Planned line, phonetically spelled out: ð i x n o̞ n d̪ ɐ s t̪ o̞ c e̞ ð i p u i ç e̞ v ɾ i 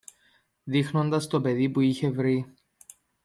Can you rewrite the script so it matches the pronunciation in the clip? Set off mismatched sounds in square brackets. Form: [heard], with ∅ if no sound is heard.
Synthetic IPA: ð i x n o̞ n d̪ ɐ s t̪ o̞ [p] e̞ ð i p u i ç e̞ v ɾ i